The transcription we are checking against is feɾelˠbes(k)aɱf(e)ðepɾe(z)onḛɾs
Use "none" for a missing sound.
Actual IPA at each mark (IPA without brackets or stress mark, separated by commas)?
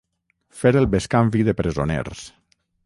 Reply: k, i, z